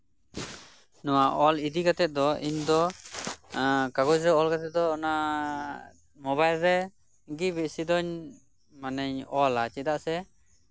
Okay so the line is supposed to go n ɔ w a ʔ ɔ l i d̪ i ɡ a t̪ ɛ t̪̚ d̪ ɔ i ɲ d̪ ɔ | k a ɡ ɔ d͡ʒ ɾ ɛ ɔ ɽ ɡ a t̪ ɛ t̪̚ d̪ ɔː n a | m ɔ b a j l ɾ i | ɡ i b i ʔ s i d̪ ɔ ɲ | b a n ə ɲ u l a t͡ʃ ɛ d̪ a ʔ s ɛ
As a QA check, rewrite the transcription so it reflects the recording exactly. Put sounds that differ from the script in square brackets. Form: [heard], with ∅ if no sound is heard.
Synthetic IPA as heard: n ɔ w a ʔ ɔ l i d̪ i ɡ a t̪ ɛ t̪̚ d̪ ɔ i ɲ d̪ ɔ | k a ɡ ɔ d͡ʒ ɾ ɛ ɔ [l] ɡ a t̪ ɛ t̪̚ d̪ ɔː n a | m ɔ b a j l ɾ [ɛ] | ɡ i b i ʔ s i d̪ ɔ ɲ | [m] a n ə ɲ [ɔ] l a t͡ʃ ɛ d̪ a ʔ s ɛ